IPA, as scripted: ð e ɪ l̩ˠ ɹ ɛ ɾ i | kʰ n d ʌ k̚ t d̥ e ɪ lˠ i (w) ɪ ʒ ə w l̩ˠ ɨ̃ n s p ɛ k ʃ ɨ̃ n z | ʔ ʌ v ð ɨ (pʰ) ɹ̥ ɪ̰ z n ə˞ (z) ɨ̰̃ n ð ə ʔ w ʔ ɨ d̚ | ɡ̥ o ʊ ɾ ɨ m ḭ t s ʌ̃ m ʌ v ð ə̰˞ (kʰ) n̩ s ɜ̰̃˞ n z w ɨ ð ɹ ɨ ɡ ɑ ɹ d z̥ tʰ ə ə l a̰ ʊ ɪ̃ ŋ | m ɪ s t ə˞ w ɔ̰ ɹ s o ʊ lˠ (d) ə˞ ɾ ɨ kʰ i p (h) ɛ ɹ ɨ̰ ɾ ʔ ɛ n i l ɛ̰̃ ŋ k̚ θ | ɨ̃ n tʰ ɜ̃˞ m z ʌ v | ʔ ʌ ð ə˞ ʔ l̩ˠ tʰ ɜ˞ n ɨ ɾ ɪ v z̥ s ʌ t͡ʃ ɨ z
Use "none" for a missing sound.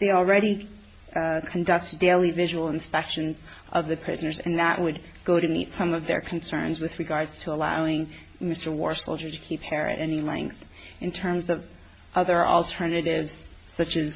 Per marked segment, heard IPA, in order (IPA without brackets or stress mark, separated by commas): v, pʰ, z, kʰ, d͡ʒ, h